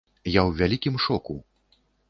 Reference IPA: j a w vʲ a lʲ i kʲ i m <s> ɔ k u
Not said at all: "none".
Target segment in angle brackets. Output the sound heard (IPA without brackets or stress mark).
ʂ